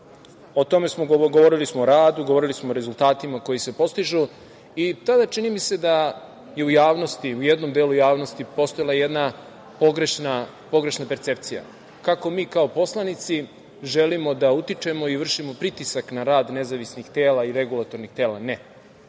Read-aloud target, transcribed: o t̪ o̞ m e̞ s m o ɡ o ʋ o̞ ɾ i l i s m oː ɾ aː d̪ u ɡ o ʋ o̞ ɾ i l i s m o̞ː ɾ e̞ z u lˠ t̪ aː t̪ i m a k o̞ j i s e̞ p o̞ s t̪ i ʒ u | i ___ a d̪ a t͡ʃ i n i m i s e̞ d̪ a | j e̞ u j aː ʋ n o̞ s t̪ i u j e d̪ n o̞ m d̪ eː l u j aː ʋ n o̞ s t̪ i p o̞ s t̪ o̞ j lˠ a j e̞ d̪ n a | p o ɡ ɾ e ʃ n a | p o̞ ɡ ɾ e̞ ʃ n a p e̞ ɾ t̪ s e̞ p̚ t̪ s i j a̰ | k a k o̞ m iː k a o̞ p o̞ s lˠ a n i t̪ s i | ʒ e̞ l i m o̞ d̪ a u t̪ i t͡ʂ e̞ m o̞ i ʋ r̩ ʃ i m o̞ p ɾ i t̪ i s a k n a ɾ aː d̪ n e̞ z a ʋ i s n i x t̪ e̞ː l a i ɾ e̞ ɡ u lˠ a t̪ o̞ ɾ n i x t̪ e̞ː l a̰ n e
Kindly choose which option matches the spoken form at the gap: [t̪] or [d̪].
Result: t̪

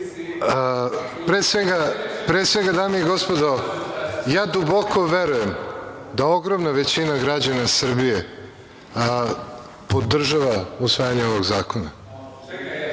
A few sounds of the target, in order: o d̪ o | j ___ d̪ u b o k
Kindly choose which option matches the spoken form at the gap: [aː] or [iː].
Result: aː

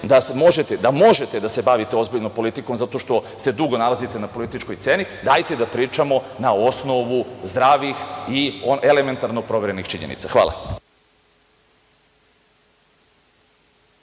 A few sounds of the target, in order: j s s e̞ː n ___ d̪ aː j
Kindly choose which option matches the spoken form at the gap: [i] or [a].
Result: i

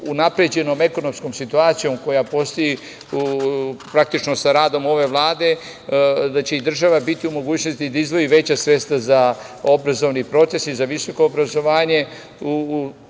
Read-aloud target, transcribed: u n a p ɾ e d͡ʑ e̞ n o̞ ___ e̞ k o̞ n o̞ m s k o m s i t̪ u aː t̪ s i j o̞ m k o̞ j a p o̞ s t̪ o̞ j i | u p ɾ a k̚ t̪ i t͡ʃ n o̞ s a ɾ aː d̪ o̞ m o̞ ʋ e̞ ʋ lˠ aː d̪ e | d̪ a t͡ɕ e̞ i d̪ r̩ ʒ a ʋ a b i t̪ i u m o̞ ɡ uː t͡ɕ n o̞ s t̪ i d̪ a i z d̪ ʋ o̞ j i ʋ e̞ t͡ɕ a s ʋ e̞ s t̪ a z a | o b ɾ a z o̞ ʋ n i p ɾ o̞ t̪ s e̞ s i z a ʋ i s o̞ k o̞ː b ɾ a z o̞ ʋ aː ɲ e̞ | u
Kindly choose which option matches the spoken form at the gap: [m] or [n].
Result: m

